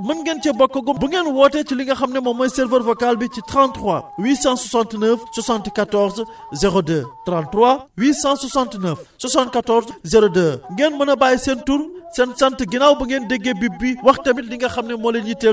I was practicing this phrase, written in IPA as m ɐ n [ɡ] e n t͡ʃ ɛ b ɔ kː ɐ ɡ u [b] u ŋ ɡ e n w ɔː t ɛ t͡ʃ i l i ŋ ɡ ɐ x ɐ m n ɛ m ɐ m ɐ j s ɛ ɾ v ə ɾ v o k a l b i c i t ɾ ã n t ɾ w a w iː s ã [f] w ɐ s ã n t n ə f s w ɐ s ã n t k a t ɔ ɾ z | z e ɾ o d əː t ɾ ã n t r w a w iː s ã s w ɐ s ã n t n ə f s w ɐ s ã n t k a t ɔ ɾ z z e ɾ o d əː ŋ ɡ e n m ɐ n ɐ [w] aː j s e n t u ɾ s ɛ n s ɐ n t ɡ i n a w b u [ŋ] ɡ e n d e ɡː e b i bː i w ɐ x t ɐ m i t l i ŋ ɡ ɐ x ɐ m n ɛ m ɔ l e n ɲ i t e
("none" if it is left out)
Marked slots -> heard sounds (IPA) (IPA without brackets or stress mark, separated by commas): ɡ, b, s, b, ŋ